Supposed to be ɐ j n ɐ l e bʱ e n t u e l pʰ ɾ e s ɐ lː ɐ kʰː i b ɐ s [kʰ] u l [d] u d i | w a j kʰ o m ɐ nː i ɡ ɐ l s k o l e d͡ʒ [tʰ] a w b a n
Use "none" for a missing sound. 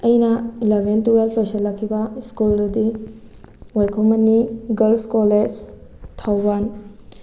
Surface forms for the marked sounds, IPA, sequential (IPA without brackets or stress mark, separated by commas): k, d, tʰ